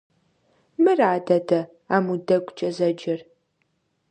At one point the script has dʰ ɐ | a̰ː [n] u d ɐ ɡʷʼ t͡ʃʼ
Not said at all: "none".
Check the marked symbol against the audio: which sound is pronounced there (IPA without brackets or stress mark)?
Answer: m